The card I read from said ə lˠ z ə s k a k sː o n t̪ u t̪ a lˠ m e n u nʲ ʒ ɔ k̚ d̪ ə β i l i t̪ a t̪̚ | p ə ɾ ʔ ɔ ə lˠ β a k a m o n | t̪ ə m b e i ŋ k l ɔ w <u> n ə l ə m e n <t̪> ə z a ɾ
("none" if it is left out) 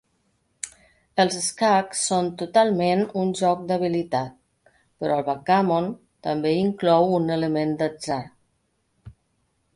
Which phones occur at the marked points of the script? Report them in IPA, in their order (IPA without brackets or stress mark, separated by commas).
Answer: u, d̪